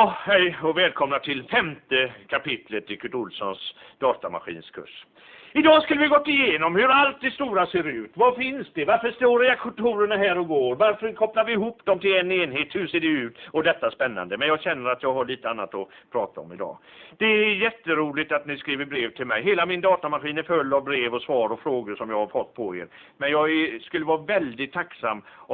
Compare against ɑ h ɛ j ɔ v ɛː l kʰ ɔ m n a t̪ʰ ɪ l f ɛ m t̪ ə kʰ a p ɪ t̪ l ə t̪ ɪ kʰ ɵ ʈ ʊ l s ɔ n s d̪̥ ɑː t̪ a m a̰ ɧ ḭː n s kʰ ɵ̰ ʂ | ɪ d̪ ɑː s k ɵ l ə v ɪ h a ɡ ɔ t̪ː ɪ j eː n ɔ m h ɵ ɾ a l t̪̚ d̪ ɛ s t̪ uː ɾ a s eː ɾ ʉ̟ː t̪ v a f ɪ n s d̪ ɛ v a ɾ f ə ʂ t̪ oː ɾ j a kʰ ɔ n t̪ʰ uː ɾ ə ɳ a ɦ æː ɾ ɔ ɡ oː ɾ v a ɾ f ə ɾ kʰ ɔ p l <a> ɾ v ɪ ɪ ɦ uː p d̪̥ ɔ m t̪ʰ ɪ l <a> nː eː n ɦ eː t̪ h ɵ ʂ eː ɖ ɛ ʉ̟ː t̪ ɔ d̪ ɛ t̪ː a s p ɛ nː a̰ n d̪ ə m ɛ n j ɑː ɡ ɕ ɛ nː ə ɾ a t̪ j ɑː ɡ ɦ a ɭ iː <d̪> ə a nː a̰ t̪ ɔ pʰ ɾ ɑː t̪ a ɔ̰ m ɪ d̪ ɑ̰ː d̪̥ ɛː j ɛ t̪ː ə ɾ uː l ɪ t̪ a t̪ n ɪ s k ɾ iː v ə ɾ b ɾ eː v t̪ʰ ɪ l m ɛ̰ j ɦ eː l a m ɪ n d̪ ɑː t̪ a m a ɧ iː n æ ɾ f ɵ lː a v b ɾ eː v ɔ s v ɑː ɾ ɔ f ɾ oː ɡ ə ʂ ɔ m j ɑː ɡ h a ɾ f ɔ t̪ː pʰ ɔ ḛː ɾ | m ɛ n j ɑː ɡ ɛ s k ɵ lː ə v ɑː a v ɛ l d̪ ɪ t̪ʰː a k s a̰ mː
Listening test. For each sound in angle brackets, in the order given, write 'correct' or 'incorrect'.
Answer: correct, incorrect, incorrect

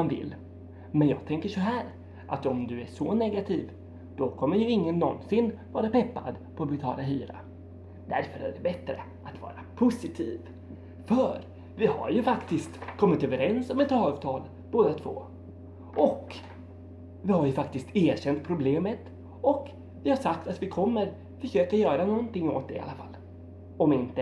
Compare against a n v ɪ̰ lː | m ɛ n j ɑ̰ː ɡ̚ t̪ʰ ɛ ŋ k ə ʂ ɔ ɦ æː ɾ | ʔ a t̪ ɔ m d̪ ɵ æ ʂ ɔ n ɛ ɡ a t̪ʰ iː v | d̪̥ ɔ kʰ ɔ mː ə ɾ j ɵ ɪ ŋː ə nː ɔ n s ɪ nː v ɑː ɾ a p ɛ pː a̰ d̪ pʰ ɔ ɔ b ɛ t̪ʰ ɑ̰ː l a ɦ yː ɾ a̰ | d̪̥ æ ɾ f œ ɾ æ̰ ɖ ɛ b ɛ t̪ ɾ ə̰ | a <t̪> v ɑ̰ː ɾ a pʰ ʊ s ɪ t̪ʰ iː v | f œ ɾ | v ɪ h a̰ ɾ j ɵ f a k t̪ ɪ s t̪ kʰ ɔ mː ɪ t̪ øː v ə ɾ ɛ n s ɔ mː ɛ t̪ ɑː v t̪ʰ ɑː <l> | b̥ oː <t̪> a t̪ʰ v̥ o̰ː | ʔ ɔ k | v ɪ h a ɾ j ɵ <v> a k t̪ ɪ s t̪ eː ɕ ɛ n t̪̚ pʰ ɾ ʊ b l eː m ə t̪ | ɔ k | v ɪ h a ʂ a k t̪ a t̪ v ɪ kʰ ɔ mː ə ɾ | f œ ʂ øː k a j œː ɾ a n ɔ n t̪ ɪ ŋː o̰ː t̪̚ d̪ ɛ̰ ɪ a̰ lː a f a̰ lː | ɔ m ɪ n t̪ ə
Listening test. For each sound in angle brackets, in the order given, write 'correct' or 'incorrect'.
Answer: correct, correct, incorrect, incorrect

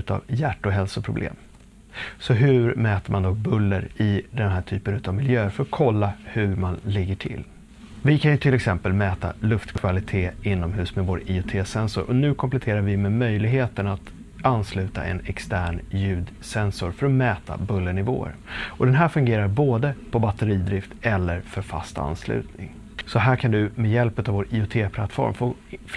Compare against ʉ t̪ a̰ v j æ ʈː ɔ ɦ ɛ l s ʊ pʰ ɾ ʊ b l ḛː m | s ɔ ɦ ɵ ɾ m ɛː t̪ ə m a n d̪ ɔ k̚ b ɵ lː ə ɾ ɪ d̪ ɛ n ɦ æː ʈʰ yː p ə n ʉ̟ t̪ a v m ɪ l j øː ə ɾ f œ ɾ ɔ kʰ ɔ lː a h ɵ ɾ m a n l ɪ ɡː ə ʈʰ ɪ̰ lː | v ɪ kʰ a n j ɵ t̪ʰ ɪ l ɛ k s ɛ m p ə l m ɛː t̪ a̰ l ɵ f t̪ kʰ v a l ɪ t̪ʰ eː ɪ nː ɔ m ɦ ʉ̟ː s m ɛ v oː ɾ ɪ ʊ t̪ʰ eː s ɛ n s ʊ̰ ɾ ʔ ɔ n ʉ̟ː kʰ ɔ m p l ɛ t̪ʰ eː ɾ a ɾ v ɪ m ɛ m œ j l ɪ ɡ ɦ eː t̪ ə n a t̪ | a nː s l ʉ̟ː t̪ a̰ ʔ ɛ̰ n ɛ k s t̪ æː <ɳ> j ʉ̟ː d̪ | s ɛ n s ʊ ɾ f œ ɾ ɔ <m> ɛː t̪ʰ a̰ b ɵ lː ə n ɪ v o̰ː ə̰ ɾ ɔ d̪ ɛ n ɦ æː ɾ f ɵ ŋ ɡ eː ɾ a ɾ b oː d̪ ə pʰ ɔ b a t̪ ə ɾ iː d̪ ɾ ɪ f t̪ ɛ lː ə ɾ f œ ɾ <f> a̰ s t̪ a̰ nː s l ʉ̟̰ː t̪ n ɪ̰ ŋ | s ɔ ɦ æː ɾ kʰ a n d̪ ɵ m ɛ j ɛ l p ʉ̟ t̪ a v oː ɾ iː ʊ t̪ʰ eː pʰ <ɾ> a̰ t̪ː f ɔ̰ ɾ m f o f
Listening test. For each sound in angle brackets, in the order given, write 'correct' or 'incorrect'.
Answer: correct, correct, correct, incorrect

